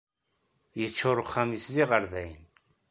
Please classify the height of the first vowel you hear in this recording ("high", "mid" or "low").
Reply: mid